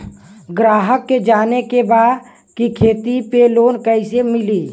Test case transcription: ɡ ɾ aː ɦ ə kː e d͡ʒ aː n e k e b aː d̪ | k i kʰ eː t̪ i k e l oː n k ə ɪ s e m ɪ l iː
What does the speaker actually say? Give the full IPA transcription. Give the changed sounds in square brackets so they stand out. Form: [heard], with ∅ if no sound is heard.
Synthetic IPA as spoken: ɡ ɾ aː ɦ ə kː e d͡ʒ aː n e k e b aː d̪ | k i kʰ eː t̪ i [p] e l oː n k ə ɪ s e m ɪ l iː